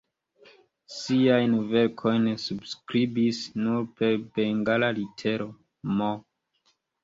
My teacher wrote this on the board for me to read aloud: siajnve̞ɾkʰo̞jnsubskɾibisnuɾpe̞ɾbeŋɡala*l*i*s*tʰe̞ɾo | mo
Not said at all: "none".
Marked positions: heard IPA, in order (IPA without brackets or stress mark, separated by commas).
l, none